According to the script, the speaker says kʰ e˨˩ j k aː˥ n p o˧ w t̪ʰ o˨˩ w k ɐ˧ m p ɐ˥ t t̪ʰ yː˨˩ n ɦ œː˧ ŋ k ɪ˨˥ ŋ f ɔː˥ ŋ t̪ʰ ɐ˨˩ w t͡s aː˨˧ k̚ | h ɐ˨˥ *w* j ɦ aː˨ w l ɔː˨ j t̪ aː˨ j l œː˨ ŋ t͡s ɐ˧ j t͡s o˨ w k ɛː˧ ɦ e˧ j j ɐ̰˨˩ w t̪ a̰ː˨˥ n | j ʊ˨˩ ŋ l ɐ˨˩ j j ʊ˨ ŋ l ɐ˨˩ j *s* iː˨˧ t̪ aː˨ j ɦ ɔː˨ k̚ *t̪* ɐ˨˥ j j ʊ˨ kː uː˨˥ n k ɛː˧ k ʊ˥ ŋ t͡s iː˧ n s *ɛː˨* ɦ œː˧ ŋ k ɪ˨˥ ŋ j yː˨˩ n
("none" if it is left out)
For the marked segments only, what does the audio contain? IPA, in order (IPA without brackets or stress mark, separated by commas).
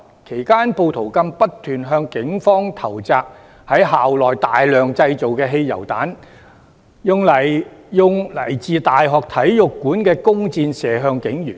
none, t͡s, t̪ʰ, ɛː˨